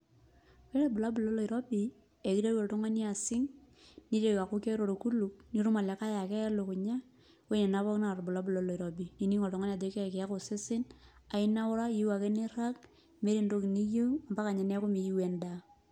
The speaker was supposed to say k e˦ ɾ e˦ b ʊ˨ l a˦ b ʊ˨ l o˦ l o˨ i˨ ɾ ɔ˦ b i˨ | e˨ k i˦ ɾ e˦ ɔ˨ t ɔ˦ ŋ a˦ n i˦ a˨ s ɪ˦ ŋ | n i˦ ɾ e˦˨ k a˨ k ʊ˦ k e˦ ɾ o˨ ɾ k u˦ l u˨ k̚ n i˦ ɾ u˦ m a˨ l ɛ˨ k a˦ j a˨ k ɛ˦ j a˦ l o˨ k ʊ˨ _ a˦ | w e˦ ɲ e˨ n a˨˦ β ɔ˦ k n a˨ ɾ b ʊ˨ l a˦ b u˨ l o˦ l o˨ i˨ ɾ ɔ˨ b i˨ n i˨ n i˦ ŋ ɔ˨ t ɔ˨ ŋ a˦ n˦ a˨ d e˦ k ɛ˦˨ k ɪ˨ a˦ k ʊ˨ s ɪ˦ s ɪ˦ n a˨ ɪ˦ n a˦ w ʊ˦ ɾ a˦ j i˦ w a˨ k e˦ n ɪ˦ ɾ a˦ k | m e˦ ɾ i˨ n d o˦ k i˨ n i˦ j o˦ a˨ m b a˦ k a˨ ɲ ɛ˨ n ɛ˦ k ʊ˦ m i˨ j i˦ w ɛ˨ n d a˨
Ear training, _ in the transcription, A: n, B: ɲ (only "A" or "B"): B